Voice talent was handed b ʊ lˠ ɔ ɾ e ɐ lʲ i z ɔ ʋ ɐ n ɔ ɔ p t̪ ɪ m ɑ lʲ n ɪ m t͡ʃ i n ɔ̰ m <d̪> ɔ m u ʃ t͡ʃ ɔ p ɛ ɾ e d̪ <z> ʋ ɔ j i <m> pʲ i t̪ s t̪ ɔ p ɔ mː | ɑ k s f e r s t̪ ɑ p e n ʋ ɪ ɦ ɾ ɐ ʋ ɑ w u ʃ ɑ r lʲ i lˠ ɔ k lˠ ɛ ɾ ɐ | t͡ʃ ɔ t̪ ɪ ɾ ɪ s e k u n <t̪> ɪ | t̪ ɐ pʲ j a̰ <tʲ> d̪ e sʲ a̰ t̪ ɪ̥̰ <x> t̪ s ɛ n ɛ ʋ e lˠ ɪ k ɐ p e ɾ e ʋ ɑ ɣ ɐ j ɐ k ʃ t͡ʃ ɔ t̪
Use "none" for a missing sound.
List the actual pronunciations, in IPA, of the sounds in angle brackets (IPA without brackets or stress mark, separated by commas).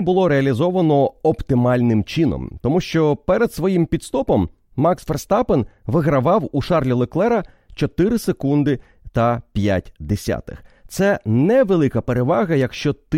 t̪, s, m, d̪, tʲ, x